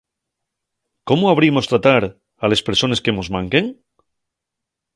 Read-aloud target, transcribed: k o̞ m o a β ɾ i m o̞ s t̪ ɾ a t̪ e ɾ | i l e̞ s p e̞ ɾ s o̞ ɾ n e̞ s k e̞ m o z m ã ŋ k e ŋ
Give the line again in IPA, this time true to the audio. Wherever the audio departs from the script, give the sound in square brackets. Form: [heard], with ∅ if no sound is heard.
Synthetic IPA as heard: k o̞ m o a β ɾ i m o̞ s t̪ ɾ a t̪ [a] ɾ | [a] l e̞ s p e̞ ɾ s o̞ [∅] n e̞ s k e̞ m o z m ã ŋ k e ŋ